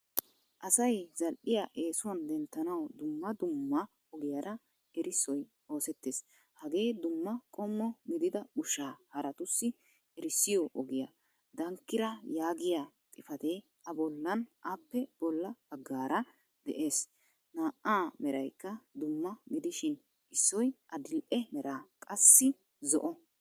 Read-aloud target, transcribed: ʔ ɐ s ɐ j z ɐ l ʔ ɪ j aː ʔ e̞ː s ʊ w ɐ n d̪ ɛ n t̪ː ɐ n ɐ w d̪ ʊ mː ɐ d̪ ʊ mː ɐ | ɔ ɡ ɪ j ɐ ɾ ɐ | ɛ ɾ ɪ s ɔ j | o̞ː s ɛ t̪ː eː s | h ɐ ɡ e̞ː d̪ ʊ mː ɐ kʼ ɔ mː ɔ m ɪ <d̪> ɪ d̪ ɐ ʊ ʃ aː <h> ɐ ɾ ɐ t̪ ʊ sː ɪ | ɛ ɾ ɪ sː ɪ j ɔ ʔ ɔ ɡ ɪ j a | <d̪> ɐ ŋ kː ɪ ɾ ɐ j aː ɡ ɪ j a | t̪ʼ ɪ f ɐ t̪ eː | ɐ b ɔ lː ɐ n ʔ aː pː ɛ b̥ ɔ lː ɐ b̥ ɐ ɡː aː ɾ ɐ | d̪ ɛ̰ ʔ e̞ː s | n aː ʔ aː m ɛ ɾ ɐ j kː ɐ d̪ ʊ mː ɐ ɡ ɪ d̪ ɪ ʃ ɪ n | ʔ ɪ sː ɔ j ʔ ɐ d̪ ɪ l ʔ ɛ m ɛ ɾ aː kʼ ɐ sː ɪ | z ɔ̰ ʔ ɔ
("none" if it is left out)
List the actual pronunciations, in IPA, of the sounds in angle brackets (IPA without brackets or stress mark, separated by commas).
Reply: d̪, h, d̪